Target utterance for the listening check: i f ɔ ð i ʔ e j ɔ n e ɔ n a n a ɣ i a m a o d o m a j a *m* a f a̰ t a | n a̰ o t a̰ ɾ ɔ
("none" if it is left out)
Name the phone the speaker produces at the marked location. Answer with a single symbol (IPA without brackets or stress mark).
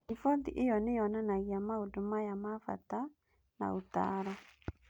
m